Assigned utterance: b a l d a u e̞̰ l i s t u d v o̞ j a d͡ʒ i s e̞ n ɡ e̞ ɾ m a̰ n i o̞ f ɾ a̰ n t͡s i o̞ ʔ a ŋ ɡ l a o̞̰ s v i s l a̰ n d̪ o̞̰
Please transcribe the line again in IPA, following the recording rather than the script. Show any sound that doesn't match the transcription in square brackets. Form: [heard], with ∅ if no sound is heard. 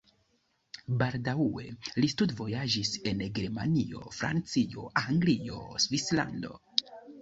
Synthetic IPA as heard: b a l d a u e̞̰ l i s t u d v o̞ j a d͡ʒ i s e̞ n ɡ e̞ ɾ m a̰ n i o̞ f ɾ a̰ n t͡s i o̞ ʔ a ŋ ɡ l [i] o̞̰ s v i s l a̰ n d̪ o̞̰